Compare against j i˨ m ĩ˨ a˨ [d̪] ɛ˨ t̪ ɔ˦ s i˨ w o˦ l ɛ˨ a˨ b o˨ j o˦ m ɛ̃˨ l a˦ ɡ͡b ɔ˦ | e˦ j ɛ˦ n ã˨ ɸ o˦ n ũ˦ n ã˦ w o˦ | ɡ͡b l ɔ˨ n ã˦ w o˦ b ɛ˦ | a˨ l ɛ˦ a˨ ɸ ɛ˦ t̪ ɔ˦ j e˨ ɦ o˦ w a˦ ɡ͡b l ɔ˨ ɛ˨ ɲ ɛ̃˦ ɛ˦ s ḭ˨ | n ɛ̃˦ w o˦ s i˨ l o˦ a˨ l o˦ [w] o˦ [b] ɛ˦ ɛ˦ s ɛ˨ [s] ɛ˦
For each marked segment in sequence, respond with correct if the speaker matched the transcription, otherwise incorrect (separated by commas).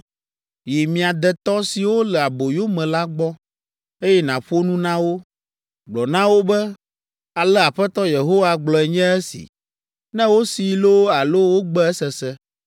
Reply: correct, correct, incorrect, correct